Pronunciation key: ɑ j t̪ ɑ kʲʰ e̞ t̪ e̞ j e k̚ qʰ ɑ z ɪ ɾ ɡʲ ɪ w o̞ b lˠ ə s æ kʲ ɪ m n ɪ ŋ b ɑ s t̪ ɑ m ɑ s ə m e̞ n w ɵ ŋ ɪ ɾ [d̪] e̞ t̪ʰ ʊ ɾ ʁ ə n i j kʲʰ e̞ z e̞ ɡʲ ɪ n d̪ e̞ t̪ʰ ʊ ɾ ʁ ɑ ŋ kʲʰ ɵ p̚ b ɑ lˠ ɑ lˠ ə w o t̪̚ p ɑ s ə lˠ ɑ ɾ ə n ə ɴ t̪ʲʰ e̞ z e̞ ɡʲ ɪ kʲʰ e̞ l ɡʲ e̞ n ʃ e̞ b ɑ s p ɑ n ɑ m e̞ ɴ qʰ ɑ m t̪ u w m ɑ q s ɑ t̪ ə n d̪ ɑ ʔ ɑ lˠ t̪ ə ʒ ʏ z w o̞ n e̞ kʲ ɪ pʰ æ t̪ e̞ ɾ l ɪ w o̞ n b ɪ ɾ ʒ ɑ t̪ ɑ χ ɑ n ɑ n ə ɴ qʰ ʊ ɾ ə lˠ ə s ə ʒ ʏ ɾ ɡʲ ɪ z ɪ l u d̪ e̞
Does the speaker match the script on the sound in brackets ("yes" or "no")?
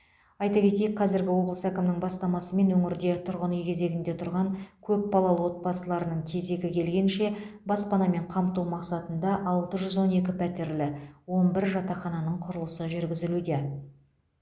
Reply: yes